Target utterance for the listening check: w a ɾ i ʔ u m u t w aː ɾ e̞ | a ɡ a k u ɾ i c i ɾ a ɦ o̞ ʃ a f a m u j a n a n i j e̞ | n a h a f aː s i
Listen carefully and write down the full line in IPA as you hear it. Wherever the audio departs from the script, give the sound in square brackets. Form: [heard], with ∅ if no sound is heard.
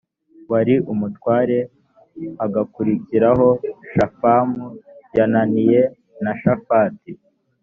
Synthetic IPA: w a ɾ i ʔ u m u t w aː ɾ e̞ | a ɡ a k u ɾ i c i ɾ a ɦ o̞ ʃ a f a m u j a n a n i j e̞ | n a [ʃ] a f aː [t] i